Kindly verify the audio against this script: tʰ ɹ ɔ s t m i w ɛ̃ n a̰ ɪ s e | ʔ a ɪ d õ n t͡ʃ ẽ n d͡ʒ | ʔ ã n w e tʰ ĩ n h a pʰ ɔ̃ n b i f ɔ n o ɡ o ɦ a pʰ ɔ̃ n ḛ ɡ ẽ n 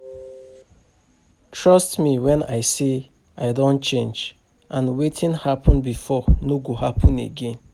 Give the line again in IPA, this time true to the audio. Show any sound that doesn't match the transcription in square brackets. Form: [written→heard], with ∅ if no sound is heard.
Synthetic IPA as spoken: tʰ ɹ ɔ s t m i w ɛ̃ n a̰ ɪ s e | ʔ a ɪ d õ n t͡ʃ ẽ n d͡ʒ | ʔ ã n w e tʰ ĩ n h a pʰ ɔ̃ n b i f ɔ n o ɡ o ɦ a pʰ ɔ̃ n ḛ ɡ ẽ n